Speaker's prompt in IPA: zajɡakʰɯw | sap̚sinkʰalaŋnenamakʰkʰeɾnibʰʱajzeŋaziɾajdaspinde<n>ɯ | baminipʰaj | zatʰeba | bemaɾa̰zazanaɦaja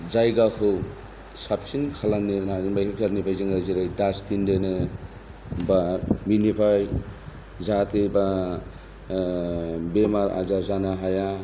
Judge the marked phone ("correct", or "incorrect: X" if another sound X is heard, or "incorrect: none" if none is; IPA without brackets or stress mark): correct